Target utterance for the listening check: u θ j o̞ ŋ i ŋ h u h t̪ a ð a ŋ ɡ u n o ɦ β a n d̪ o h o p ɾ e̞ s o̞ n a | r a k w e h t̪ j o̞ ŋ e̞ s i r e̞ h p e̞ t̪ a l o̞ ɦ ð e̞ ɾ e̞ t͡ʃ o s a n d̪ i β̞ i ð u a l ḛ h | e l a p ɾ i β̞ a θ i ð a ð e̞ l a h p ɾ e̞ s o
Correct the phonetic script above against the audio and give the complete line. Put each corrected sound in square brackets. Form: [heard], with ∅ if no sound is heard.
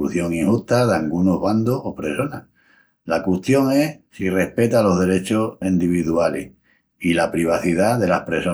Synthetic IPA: u θ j o̞ ŋ i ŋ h u h t̪ a ð a ŋ ɡ u n o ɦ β a n d̪ o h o p ɾ e̞ s o̞ n a | [l] a k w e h t̪ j o̞ ŋ e̞ s i r e̞ h p e̞ t̪ a l o̞ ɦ ð e̞ ɾ e̞ t͡ʃ o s [i] n d̪ i β̞ i ð u a l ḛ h | [i] l a p ɾ i β̞ a θ i ð a ð e̞ l a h p ɾ e̞ s o